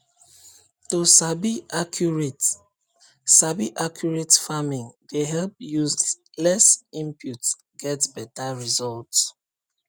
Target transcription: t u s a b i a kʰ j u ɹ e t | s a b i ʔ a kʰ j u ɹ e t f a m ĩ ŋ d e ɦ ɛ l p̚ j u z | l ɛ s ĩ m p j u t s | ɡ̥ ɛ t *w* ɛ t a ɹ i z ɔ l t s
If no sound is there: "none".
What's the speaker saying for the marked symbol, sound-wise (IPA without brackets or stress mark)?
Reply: b